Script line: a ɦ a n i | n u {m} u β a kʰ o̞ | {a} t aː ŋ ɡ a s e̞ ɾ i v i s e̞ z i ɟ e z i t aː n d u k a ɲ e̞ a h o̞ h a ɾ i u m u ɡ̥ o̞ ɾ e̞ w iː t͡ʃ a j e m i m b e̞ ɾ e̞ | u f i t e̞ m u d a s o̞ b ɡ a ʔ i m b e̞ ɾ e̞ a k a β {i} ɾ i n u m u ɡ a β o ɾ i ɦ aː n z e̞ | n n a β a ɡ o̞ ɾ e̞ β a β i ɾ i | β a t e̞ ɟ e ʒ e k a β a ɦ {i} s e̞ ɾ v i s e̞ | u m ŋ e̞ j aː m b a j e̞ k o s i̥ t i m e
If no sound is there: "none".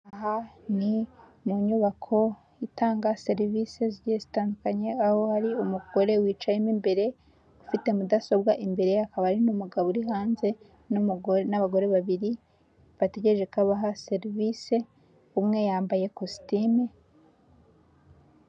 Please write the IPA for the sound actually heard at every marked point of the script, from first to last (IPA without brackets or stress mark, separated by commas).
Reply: ɲ, i, a, a